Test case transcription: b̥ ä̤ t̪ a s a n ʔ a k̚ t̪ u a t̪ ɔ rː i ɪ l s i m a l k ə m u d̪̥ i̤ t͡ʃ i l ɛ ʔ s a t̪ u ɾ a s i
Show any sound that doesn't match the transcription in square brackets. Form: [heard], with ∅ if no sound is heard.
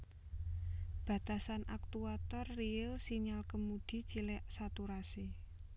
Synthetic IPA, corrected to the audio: b̥ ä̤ t̪ a s a n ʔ a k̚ t̪ u a t̪ ɔ rː i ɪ l s i [ɲ] a l k ə m u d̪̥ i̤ t͡ʃ i l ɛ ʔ s a t̪ u ɾ a s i